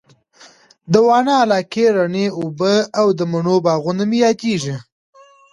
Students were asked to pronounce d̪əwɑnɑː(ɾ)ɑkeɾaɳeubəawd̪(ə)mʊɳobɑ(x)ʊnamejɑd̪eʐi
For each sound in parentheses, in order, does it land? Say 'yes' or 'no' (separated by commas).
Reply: no, yes, no